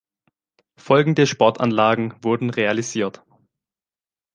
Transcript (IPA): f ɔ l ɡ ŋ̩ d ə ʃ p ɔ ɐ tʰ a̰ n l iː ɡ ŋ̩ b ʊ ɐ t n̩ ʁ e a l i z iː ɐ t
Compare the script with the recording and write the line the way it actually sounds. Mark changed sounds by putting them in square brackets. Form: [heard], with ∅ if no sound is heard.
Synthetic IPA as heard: f ɔ l ɡ ŋ̩ d ə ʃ p ɔ ɐ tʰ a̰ n l [aː] ɡ ŋ̩ [v] ʊ ɐ [d] n̩ ʁ e a l i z iː ɐ t